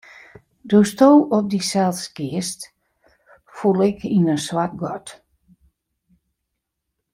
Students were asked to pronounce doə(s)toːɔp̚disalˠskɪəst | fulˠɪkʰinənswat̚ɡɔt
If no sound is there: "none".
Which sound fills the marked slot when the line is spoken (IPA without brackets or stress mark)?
s